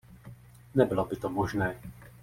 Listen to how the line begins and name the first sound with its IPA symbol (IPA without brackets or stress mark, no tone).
n